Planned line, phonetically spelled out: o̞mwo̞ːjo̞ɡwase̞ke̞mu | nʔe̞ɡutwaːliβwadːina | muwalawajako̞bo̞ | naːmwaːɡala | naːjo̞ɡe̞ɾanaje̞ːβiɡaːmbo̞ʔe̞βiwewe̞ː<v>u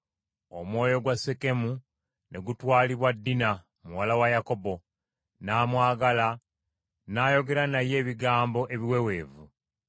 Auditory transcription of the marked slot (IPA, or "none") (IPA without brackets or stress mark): v